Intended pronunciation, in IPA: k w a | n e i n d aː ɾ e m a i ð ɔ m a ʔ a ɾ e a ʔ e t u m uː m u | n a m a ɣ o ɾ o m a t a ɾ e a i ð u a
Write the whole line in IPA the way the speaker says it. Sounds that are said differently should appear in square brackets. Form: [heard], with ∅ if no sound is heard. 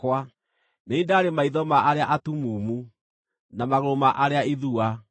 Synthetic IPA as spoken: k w a | n e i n d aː ɾ e m a i ð ɔ m a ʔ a ɾ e a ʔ [a] t u m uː m u | n a m a ɣ o ɾ o m a [ʔ] a ɾ e a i ð u a

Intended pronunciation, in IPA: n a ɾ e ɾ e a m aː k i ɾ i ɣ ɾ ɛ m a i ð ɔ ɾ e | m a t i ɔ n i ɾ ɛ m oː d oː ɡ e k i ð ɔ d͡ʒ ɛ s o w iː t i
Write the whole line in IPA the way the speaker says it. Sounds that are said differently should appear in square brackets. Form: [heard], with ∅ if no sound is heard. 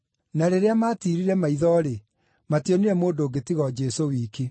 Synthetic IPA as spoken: n a ɾ e ɾ e a m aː [t] i ɾ i [∅] ɾ ɛ m a i ð ɔ ɾ e | m a t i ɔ n i ɾ ɛ m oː d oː ɡ e [t] i [ɣ] ɔ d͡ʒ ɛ s o w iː [k] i

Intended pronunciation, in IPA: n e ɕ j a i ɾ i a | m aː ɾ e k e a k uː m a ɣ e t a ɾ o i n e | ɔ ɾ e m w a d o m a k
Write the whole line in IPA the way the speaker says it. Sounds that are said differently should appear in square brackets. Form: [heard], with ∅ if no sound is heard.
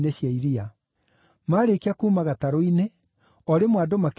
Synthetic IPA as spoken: n e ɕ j a i ɾ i a | m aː ɾ e k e a k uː m a ɣ [a] t a ɾ o i n e | ɔ ɾ e m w a d o m a k

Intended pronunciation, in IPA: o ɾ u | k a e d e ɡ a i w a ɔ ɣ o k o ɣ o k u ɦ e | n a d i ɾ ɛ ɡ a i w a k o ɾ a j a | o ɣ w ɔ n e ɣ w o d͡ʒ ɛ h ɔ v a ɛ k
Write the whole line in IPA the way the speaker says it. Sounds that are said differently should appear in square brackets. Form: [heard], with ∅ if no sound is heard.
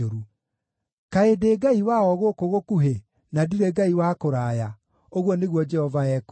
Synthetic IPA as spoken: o ɾ u | k a e d e ɡ a i w a ɔ ɣ o k o ɣ o k u ɦ e | n a d i ɾ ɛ ɡ a i w a k o ɾ a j a | o ɣ w ɔ n e ɣ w [ɔ] d͡ʒ ɛ h ɔ v a ɛ k

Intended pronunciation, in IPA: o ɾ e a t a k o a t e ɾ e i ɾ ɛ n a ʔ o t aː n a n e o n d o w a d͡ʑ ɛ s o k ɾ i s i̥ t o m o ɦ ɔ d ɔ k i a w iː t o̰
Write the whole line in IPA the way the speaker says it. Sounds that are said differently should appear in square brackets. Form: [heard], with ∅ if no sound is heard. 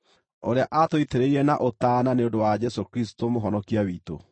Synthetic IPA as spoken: o ɾ e a [ʔ] a [t] o [i] t e ɾ e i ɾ ɛ n a ʔ o t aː n a n e o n d o w a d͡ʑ ɛ s o k ɾ i s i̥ t o m o ɦ ɔ [n] ɔ k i a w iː t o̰

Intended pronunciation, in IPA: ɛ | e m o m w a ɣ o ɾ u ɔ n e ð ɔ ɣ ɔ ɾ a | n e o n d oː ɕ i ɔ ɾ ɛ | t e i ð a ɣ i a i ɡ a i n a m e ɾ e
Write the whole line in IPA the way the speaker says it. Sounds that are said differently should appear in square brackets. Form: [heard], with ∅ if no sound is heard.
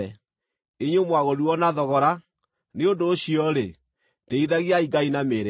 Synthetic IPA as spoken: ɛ | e [ɲ] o m w a ɣ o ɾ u ɔ n [a] ð ɔ ɣ ɔ ɾ a | n e o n d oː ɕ i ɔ ɾ [e] | t e i ð a ɣ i a i ɡ a i n a m e ɾ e

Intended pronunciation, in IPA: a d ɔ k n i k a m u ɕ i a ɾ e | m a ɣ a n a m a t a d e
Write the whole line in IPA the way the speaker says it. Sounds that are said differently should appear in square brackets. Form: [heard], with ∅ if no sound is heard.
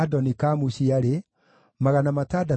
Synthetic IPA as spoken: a d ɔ [∅] n i k a m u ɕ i a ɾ e | m a ɣ a n a m a t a d [a]

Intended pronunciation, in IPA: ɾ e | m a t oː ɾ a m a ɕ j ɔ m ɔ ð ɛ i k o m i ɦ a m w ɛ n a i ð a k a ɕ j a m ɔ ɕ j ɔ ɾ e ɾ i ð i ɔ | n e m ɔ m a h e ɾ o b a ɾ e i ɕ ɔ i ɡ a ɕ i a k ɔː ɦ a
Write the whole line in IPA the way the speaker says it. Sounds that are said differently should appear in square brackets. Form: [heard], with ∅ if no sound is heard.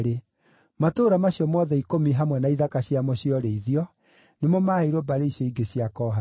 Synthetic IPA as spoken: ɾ e | m a t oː ɾ a m a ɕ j ɔ m ɔ ð ɛ i k o m i ɦ a m w ɛ n a i ð a k a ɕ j a m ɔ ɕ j ɔ ɾ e [∅] i ð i ɔ | n e m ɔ m a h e ɾ o b a ɾ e i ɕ ɔ i ɡ [e] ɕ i a k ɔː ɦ a

